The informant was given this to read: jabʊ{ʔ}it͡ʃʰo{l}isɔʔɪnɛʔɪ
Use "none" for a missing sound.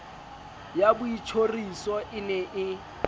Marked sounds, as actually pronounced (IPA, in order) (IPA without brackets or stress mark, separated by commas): none, r